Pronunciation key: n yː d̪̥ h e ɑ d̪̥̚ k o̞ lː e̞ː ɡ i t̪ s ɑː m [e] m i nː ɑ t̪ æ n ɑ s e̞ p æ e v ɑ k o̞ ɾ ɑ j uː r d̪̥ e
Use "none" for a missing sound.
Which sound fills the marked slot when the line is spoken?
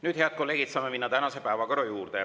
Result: e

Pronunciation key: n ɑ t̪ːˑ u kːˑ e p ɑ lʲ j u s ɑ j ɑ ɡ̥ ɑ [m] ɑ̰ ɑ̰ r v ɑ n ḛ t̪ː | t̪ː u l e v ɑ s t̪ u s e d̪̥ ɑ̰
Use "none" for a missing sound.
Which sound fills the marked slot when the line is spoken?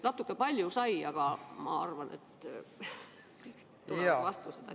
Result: m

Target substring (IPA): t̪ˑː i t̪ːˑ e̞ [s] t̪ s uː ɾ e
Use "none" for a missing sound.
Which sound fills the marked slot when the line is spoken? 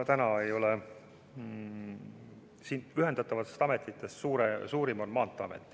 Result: s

